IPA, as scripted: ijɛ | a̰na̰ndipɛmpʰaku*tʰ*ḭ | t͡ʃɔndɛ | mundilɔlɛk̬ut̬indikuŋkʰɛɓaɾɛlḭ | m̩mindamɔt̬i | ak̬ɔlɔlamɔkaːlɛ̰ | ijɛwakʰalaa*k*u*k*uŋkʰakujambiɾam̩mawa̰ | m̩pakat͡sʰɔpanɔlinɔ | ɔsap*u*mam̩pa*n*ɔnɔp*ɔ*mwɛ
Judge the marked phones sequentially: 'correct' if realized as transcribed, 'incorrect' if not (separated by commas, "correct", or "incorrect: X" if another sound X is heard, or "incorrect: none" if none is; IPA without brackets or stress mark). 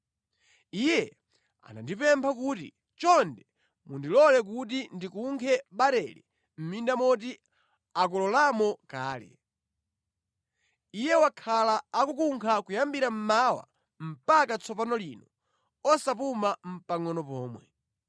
incorrect: t, correct, correct, correct, incorrect: ŋ, incorrect: ɔː